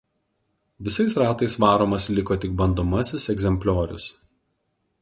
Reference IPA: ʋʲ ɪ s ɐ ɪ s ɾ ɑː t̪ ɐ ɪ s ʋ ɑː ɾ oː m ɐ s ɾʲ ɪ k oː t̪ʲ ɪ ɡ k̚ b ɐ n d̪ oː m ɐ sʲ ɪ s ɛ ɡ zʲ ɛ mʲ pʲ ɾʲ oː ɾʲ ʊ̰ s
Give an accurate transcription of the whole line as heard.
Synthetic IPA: ʋʲ ɪ s ɐ ɪ s ɾ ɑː t̪ ɐ ɪ s ʋ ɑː ɾ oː m ɐ s lʲ ɪ k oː t̪ʲ ɪ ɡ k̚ b ɐ n d̪ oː m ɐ sʲ ɪ s ɛ ɡ zʲ ɛ mʲ pʲ lʲ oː ɾʲ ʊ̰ s